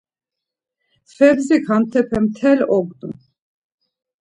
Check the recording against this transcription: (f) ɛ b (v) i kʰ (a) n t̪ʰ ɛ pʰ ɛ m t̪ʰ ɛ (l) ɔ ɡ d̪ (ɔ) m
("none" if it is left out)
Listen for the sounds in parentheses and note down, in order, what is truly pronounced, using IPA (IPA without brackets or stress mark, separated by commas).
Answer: f, z, a, l, u